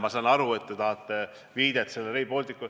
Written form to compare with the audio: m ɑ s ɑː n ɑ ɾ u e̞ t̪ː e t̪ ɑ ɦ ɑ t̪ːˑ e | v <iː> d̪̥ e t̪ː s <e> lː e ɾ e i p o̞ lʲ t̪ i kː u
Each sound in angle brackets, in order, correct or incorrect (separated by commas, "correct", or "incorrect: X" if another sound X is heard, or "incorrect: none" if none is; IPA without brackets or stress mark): correct, correct